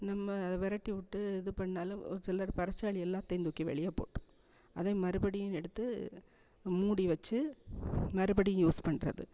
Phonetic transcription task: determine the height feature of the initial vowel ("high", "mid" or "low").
low